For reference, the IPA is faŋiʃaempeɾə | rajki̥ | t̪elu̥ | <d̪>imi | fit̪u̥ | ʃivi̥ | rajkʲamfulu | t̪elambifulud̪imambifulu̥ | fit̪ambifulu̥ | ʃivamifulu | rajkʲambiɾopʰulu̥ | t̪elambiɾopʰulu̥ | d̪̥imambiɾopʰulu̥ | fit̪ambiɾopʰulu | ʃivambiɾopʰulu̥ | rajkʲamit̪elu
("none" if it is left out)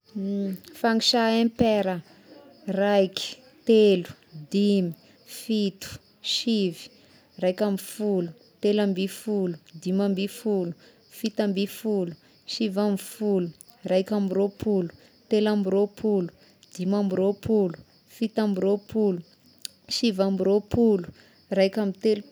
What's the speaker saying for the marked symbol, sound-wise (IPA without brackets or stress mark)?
d̪